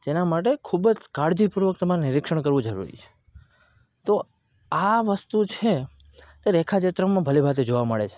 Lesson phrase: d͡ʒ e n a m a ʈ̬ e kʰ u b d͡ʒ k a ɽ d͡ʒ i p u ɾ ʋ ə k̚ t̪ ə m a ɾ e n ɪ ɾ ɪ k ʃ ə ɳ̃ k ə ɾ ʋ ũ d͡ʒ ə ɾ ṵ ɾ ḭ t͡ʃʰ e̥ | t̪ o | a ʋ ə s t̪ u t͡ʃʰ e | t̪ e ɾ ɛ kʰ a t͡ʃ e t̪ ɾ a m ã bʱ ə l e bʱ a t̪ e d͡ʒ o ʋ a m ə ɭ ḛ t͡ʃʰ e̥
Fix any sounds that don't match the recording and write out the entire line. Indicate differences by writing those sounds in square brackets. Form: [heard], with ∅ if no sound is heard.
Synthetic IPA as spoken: d͡ʒ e n a m a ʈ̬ e kʰ u b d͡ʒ k a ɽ d͡ʒ i p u ɾ ʋ ə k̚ t̪ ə m a ɾ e n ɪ ɾ ɪ k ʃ ə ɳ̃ k ə ɾ ʋ ũ d͡ʒ ə ɾ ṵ ɾ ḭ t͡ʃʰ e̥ | t̪ o | a ʋ ə s t̪ u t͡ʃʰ e | t̪ e ɾ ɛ kʰ a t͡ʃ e t̪ ɾ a m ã bʱ ə l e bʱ a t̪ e d͡ʒ o ʋ a m ə ɭ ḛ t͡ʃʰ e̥